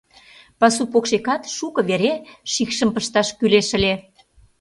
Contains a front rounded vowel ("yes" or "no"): yes